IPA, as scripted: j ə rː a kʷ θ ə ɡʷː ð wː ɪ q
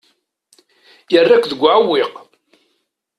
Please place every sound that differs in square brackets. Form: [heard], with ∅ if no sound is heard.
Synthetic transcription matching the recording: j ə rː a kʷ [ð] ə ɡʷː [ʕ] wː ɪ q